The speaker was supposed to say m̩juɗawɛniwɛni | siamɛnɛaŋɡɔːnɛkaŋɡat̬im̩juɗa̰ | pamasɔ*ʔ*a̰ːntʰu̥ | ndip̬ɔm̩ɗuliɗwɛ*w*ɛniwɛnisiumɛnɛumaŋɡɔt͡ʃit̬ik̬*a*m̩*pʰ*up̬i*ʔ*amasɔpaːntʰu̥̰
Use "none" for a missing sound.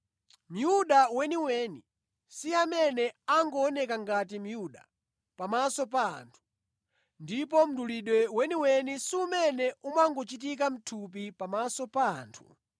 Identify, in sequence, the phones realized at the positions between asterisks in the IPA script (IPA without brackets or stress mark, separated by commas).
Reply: p, w, a, tʰ, p